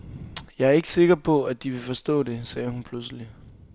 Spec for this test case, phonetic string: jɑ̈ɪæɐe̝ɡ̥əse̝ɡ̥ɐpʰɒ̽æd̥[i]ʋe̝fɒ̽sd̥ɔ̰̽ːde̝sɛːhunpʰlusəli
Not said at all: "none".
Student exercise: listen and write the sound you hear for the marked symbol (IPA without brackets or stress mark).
i